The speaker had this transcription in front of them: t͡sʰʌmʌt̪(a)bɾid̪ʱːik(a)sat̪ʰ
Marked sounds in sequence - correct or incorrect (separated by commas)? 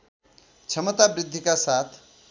correct, correct